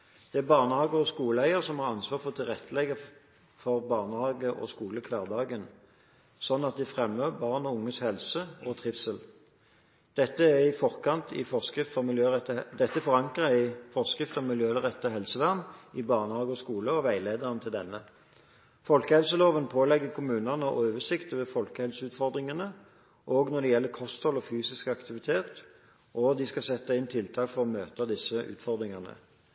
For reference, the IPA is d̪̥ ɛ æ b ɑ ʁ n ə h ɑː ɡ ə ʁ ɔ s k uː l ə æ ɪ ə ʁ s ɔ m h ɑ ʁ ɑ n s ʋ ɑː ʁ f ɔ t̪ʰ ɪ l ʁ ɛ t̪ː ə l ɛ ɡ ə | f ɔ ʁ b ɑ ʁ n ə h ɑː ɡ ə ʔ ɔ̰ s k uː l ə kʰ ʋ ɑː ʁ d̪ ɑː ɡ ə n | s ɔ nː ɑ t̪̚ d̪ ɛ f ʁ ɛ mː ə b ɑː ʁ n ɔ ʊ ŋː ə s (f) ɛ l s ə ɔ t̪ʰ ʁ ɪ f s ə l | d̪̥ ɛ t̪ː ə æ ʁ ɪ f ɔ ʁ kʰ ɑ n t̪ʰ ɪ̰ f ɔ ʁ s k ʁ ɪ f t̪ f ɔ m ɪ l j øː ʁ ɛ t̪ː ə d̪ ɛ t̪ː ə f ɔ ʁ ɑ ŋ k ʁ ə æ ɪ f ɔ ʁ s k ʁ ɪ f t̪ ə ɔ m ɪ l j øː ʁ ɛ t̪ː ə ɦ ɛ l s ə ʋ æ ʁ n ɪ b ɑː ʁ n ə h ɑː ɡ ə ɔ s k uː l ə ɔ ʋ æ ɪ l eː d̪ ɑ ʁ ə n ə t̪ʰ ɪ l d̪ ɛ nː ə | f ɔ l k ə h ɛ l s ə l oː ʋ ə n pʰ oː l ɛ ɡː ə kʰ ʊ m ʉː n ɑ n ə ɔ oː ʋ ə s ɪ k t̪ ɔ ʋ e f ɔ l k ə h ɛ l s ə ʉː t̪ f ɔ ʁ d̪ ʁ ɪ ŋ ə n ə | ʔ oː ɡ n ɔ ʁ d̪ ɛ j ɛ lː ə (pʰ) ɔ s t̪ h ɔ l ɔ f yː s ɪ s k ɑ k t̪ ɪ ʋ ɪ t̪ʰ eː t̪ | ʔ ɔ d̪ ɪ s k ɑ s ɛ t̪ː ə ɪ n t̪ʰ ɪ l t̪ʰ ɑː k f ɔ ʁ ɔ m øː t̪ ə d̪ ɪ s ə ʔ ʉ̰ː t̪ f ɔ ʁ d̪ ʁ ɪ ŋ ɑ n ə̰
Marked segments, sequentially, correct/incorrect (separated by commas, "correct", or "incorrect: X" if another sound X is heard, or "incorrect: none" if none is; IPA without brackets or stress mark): incorrect: h, incorrect: kʰ